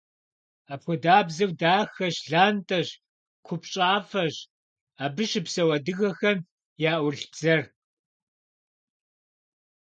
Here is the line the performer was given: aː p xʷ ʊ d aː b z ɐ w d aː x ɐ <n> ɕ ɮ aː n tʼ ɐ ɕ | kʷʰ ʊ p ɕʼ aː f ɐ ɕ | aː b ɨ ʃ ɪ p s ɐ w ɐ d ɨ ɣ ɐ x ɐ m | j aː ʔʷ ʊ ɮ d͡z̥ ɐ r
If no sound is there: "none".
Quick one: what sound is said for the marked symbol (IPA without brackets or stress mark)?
none